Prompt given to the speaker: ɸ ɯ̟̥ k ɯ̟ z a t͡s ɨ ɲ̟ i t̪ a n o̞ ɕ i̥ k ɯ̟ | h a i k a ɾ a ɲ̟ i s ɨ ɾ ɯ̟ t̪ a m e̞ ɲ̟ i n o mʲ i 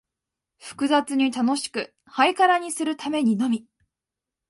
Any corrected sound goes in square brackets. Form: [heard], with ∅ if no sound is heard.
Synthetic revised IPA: ɸ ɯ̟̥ k ɯ̟ z a t͡s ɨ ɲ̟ i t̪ a n o̞ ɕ i̥ k ɯ̟ | h a i k a ɾ a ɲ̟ i s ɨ ɾ ɯ̟ t̪ a m e̞ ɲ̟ i n o mʲ i